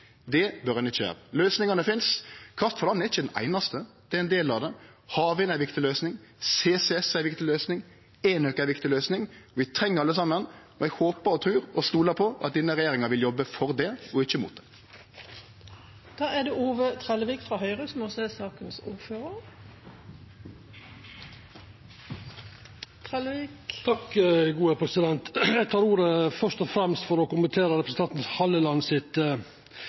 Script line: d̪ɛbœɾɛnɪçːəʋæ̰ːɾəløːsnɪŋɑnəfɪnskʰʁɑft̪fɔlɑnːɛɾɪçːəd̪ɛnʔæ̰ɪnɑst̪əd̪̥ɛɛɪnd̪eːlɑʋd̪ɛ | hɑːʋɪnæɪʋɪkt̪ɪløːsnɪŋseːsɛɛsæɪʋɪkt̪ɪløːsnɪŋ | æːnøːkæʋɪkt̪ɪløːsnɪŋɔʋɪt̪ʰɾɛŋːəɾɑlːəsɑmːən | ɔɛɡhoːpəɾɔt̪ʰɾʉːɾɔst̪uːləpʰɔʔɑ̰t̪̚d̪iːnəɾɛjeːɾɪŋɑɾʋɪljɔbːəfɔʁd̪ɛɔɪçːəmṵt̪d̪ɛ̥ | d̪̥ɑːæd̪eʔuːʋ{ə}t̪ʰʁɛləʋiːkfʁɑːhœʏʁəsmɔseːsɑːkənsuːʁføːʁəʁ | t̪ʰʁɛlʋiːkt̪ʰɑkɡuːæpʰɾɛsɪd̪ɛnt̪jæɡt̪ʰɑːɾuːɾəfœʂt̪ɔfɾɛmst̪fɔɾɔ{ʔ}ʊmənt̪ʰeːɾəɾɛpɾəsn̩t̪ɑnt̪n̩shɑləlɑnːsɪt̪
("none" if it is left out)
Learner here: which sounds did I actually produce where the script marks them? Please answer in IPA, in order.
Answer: ə, k

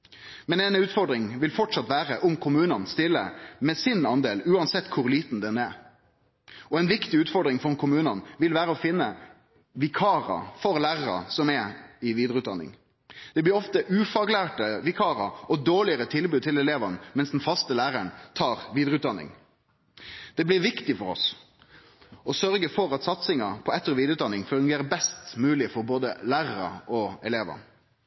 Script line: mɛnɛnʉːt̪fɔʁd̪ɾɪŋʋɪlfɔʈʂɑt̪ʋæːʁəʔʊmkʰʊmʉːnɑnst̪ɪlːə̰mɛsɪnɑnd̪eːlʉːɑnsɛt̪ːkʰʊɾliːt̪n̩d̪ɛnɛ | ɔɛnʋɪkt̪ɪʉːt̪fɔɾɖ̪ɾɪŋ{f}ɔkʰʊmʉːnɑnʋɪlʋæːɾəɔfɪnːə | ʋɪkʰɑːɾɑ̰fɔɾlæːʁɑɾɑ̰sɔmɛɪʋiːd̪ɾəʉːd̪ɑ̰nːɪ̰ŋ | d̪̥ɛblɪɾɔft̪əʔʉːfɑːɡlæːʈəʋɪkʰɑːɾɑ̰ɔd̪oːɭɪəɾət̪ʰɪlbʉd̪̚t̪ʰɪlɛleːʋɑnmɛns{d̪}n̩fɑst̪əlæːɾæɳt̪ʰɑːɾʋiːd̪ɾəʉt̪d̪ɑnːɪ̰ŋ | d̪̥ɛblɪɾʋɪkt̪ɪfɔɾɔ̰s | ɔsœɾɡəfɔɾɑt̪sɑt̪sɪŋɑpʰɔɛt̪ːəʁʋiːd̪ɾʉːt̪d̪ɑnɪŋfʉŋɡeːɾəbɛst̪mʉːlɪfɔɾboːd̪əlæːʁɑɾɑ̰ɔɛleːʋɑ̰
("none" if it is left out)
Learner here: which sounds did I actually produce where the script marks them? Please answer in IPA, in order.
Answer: f, d̪

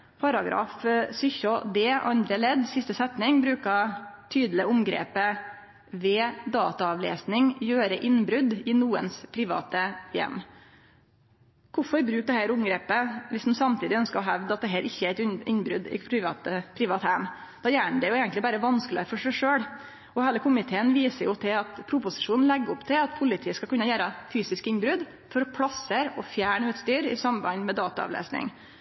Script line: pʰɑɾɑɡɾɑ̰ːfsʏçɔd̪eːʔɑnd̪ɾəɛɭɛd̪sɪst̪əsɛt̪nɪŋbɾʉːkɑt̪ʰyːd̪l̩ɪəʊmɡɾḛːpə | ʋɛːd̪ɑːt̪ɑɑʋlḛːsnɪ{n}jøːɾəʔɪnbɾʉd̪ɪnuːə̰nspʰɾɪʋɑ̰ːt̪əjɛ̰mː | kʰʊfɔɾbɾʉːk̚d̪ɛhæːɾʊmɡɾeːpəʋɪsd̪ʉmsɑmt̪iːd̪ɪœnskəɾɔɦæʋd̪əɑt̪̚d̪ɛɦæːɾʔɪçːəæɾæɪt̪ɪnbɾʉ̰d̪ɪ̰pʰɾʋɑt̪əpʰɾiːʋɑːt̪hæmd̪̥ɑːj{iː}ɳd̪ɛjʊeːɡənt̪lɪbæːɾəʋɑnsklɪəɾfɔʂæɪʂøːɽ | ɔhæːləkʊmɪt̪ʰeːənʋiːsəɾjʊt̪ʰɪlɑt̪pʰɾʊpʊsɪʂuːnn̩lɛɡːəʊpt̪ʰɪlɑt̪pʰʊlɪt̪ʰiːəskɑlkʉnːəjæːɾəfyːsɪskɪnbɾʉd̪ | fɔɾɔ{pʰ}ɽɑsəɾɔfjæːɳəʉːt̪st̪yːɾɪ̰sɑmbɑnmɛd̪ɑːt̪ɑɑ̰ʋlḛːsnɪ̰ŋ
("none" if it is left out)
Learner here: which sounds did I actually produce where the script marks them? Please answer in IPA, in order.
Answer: ŋ, æː, pʰ

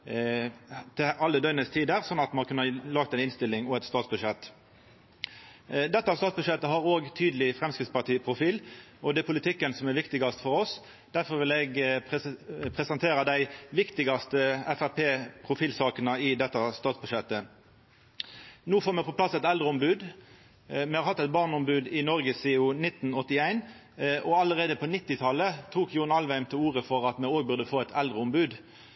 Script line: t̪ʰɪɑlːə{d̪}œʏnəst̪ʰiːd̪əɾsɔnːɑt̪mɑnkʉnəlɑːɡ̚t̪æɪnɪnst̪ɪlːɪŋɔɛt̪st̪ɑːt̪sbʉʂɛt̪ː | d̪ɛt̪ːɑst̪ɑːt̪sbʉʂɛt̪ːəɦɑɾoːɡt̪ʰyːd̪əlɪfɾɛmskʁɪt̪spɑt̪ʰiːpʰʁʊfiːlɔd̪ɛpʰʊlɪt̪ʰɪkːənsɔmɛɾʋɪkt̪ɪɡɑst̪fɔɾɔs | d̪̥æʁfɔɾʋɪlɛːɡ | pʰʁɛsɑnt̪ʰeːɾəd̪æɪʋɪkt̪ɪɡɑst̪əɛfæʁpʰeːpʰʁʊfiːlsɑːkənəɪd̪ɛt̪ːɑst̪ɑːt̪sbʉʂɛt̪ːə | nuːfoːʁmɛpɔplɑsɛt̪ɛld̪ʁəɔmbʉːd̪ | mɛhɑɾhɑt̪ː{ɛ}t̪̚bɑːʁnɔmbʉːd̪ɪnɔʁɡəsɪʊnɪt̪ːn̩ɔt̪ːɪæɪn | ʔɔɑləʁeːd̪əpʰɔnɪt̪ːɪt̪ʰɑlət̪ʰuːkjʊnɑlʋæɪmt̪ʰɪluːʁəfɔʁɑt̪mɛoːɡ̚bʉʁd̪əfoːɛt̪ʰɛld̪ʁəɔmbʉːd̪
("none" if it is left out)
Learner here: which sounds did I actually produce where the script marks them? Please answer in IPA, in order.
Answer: d̪, ɛ

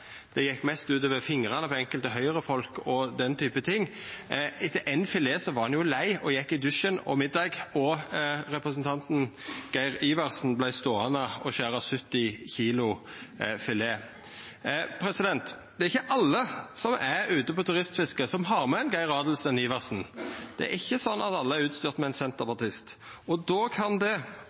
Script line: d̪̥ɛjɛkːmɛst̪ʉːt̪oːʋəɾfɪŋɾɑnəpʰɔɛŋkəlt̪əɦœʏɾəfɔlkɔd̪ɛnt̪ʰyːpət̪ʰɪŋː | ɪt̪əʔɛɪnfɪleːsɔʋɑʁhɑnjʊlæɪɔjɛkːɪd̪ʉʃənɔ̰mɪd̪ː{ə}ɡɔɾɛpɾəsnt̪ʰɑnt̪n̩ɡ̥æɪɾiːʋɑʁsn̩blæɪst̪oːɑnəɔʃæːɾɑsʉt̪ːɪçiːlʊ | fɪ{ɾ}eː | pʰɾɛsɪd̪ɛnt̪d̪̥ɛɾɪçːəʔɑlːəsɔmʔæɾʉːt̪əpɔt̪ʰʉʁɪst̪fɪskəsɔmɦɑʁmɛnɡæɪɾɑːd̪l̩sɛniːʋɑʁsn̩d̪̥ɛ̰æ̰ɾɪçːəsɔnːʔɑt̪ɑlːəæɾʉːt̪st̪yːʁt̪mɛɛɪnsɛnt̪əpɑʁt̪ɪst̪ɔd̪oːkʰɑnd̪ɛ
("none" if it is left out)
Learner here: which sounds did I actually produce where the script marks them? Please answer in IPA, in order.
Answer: ɑ, l

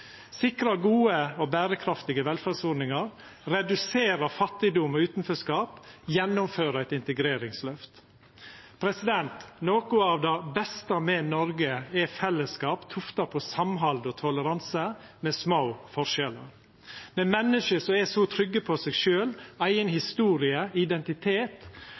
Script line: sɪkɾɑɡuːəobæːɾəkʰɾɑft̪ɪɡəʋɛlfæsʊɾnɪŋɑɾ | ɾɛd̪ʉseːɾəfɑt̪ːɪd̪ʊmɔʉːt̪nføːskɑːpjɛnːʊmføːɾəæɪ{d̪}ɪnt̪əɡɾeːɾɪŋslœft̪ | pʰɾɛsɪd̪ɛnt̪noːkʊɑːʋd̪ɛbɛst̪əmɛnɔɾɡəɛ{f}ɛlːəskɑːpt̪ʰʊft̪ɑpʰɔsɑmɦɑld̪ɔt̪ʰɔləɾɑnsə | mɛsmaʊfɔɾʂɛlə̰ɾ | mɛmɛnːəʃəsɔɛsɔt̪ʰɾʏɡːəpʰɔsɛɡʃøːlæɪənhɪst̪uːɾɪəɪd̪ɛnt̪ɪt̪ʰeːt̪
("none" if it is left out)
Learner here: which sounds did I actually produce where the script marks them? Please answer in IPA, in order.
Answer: t̪, f

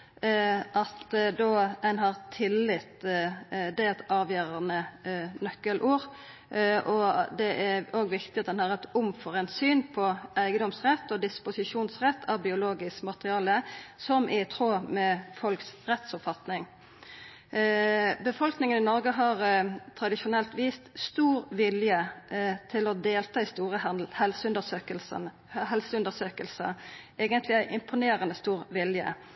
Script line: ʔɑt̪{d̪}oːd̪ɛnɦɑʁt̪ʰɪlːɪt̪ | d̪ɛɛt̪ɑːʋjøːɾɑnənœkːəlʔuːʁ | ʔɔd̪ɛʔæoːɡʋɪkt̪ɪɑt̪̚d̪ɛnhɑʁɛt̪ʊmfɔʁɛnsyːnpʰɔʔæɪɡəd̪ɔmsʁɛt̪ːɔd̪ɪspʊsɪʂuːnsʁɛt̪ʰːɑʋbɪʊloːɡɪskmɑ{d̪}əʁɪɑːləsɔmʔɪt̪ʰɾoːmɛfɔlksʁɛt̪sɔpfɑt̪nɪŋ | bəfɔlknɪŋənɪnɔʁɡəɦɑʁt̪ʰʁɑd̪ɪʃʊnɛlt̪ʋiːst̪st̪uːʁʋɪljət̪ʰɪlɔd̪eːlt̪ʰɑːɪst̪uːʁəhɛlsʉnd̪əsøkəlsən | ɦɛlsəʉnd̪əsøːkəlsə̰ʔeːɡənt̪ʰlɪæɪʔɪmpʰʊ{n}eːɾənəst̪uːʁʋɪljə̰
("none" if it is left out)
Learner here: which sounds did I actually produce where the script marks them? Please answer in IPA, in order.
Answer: d̪, t̪, n

